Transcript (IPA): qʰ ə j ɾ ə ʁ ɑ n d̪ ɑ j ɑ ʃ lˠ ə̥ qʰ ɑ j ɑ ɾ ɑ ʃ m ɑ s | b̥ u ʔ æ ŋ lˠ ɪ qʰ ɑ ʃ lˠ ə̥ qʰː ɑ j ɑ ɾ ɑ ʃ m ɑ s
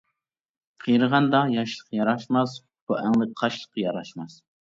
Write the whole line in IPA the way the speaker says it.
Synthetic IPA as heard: qʰ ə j ɾ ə ʁ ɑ n d̪ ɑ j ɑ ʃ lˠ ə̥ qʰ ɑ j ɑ ɾ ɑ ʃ m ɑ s | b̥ u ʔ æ ŋ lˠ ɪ qʰ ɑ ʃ lˠ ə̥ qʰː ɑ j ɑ ɾ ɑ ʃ m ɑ s